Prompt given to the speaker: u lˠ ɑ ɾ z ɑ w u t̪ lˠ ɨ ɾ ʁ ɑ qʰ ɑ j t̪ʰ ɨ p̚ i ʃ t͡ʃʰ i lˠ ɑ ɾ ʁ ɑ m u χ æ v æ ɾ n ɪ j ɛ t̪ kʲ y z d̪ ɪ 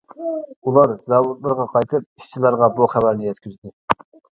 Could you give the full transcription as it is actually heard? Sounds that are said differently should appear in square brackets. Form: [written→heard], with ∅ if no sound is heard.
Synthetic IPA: u lˠ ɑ ɾ z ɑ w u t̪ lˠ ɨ ɾ ʁ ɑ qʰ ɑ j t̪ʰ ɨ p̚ i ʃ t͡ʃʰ i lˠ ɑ ɾ ʁ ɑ [m→b] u χ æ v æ ɾ n ɪ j ɛ t̪ kʲ y z d̪ ɪ